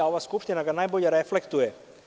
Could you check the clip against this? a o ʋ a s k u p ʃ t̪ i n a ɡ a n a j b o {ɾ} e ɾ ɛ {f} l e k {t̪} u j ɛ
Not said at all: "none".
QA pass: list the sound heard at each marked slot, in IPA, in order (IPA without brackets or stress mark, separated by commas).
ʎ, f, t̪